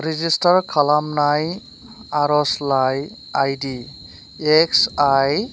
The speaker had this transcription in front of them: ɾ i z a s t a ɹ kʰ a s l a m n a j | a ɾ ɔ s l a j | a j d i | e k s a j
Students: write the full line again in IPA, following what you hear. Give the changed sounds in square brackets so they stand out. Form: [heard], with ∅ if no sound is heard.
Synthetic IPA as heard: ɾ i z [i] s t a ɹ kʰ a [∅] l a m n a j | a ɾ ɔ s l a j | a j d i | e k s a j